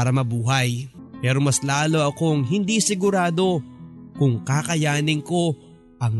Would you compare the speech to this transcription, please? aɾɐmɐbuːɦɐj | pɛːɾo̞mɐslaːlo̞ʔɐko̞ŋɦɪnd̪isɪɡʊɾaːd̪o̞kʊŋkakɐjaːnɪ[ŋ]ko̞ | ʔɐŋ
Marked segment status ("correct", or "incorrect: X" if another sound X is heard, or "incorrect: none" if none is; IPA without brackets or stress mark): correct